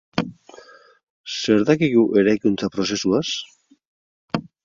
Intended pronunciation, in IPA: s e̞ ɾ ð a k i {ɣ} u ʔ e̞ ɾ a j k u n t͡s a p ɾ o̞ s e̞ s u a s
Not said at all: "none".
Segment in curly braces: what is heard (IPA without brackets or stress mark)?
ɣ